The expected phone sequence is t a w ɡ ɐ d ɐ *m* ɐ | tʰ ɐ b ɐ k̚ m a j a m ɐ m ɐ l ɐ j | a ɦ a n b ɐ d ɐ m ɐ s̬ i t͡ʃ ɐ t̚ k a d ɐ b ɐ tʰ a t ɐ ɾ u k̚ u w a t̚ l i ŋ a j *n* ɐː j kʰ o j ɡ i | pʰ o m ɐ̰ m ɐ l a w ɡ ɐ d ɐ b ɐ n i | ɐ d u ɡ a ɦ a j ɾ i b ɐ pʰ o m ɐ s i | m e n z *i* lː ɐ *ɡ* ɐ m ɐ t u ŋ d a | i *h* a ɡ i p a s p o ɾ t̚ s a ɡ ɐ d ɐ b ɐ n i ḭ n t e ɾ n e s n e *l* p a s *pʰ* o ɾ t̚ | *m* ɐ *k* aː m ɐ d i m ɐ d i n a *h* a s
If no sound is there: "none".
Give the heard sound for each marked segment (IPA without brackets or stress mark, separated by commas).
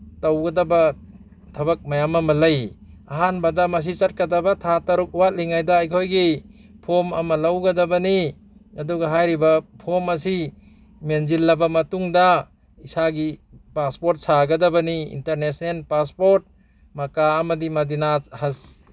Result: b, d, i, b, s, l, p, m, k, h